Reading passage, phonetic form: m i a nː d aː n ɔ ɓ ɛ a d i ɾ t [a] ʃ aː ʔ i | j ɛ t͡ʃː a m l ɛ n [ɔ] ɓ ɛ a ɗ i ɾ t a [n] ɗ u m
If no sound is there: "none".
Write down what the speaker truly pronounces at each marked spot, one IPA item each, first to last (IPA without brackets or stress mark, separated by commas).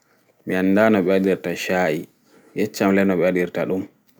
a, ɔ, none